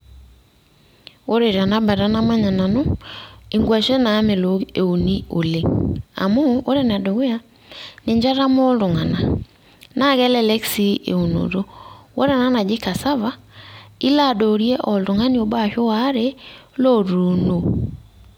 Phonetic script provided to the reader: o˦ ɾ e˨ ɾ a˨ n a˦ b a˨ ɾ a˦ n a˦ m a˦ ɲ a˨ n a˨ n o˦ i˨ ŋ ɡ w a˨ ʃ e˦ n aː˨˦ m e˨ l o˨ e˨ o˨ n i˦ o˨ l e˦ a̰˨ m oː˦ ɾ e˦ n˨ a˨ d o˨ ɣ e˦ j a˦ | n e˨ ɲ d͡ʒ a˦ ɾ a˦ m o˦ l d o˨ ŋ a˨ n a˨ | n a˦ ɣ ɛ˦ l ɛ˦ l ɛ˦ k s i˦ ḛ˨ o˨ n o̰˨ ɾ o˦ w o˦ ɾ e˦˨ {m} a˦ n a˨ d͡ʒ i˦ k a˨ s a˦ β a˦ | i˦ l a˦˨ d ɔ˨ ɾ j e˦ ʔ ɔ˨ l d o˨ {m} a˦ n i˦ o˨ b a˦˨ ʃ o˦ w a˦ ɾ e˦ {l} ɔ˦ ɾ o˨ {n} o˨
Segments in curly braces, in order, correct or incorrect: incorrect: n, incorrect: ŋ, correct, correct

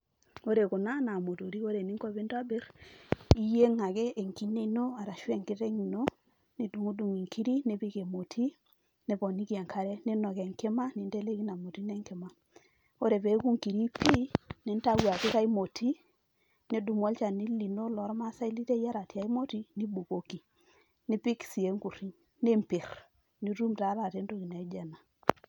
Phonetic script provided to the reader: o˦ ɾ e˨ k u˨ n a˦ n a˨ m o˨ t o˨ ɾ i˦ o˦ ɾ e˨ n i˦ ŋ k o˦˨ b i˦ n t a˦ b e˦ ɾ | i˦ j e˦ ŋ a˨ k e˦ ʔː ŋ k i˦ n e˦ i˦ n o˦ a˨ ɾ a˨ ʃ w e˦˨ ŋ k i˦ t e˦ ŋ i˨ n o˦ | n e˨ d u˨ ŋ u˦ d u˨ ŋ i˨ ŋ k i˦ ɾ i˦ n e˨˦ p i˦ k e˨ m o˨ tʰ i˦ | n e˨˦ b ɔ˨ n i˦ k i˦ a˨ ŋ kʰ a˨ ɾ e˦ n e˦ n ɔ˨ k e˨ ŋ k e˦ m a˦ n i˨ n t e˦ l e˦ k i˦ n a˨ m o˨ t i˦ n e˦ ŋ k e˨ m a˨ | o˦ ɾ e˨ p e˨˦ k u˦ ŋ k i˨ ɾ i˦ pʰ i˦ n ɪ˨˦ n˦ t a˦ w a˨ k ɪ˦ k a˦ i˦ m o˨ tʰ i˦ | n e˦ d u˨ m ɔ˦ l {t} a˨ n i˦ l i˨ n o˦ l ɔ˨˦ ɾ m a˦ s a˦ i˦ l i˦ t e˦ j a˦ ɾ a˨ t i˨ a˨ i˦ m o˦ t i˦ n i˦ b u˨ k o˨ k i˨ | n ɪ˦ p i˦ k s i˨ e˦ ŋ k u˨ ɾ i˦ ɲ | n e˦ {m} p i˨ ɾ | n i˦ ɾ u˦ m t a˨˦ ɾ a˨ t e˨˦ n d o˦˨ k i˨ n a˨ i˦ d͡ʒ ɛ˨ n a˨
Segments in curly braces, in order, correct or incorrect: incorrect: t͡ʃ, correct

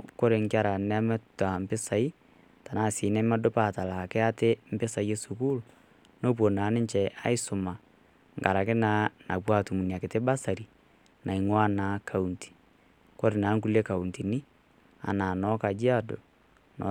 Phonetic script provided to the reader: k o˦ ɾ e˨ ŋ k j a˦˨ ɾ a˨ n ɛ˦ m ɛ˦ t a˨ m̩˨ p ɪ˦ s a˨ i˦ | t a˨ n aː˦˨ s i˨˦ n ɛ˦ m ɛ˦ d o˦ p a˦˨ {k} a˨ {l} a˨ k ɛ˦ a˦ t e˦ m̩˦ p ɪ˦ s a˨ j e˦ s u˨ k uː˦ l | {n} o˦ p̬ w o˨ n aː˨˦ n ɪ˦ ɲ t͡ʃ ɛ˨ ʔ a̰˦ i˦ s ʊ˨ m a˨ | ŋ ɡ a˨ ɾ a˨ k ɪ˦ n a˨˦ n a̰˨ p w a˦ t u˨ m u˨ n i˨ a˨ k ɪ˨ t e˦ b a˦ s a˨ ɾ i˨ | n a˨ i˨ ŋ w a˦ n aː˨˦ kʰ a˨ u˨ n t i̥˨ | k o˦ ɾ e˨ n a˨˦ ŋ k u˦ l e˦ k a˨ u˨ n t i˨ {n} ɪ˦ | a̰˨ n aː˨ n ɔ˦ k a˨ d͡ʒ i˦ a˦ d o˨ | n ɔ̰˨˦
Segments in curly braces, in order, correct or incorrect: incorrect: t, correct, correct, correct

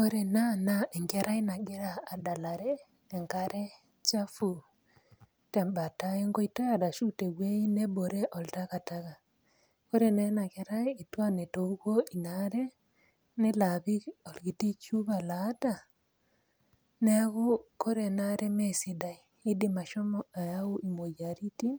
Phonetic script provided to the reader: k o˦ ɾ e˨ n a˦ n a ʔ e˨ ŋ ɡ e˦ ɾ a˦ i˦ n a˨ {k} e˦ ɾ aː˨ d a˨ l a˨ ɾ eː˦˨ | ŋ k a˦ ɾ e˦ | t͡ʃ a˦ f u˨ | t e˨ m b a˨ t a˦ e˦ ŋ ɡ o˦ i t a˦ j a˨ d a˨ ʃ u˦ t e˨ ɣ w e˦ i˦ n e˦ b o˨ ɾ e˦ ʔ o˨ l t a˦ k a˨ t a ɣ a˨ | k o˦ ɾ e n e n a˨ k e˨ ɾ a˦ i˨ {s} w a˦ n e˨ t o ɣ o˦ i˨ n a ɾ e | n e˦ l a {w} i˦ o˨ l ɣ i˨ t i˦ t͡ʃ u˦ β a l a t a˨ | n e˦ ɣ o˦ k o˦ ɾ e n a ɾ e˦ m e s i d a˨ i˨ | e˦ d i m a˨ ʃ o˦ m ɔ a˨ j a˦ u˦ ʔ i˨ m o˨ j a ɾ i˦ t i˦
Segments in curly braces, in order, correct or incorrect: incorrect: ɡ, incorrect: t, incorrect: β

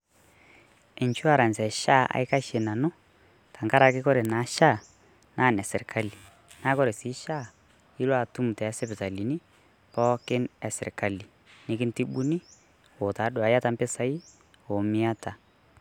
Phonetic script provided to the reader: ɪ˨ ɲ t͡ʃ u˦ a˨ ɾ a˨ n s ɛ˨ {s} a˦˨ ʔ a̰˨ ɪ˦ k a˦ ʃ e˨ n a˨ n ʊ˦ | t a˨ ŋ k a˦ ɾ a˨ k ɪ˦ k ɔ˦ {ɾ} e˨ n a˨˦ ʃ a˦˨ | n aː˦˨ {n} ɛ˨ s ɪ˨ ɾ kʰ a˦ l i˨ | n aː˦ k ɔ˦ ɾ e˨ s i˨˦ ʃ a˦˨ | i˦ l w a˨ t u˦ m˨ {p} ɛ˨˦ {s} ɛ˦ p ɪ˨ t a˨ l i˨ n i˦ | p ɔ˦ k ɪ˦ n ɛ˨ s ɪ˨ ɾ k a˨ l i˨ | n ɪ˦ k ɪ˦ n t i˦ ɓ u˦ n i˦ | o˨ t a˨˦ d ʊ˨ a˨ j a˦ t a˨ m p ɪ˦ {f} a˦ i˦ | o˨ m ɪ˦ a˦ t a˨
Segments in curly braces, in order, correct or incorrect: incorrect: ʃ, correct, correct, incorrect: t, correct, incorrect: s

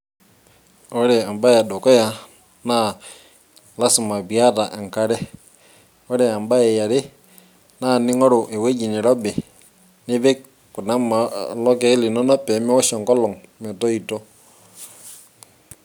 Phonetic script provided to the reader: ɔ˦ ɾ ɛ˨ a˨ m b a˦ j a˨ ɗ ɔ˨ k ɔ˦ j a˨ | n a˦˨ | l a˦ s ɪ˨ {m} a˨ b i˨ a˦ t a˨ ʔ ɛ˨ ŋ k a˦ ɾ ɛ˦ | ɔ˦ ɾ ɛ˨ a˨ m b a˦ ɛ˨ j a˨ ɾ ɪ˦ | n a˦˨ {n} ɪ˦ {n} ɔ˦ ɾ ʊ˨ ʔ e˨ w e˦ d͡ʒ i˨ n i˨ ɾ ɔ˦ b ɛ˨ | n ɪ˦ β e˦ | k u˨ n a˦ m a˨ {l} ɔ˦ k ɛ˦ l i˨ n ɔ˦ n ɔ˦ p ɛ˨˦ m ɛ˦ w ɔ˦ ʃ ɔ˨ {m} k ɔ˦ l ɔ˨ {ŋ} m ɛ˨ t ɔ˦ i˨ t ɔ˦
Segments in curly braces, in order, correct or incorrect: correct, correct, incorrect: ŋ, correct, incorrect: ŋ, correct

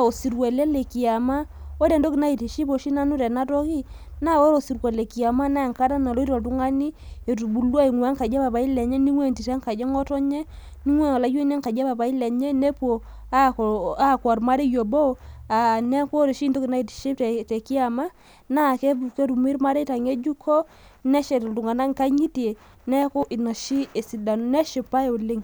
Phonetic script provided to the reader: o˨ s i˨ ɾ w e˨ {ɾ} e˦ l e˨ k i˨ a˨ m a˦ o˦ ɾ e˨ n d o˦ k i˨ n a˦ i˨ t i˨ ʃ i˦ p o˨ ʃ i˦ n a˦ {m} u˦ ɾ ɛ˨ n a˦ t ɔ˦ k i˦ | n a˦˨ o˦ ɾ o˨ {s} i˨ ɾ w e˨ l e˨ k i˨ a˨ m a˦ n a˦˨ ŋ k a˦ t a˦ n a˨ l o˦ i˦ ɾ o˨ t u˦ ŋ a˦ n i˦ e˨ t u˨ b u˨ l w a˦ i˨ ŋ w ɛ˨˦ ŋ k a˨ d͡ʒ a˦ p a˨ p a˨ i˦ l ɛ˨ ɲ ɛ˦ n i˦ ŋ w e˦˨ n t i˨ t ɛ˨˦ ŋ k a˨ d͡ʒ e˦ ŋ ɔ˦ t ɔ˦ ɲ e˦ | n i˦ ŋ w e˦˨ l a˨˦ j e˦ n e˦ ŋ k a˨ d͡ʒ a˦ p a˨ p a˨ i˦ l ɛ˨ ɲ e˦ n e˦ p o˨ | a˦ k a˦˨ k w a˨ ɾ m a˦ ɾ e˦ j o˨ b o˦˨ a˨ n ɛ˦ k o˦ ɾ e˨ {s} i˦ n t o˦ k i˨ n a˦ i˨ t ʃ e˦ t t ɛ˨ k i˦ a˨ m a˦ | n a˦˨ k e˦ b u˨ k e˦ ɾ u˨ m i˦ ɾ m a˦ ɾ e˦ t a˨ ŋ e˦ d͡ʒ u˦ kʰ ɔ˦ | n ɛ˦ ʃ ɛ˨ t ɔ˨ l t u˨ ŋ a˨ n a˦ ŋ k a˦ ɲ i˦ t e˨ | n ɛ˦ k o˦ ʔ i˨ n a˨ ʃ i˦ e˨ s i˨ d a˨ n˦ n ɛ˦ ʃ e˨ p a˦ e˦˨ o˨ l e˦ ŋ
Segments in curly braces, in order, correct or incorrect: incorrect: l, incorrect: n, correct, incorrect: ʃ

